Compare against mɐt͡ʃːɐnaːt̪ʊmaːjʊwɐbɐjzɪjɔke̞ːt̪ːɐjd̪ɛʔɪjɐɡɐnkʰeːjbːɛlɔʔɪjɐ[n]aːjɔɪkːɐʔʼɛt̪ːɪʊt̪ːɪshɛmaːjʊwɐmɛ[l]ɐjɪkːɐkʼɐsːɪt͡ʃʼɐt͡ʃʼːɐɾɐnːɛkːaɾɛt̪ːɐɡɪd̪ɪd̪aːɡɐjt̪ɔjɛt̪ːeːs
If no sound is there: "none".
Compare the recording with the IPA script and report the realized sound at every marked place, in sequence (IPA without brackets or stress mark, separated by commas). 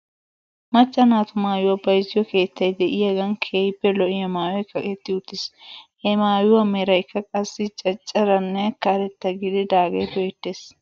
m, ɾ